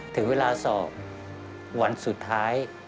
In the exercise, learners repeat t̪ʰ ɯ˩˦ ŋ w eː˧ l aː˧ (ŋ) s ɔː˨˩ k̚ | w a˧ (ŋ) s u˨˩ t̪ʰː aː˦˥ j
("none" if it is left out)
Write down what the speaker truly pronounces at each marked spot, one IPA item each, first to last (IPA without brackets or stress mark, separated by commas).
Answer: none, n